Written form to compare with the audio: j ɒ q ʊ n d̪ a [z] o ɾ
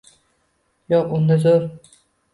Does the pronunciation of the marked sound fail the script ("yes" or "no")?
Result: no